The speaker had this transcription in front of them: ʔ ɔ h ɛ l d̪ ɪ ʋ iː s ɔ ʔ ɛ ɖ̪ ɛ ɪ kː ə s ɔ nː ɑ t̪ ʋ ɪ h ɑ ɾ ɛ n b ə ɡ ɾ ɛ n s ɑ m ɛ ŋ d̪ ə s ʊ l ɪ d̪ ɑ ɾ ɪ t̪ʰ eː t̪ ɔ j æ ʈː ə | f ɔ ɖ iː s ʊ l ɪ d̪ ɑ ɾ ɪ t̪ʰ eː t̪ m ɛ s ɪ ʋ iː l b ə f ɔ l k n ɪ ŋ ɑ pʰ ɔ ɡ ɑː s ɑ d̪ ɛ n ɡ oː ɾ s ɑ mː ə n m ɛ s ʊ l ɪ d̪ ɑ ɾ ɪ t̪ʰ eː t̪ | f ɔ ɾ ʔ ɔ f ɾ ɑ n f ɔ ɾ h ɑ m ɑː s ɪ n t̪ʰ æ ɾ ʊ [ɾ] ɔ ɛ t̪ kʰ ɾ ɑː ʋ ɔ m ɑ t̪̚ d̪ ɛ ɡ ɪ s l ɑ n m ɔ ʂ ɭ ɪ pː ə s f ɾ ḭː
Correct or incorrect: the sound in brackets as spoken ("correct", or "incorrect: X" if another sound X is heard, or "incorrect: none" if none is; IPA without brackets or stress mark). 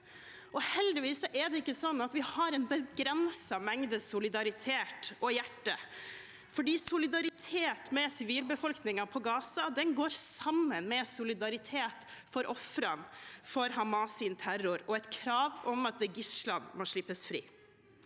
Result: correct